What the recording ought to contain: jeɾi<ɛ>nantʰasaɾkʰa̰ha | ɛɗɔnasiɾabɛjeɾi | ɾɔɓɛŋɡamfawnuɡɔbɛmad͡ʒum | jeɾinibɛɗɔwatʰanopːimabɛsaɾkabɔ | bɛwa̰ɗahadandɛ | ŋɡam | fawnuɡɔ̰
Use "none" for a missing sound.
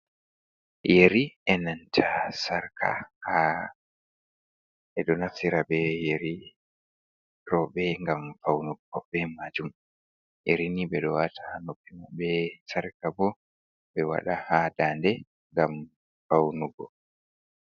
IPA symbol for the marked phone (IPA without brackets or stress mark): ɛ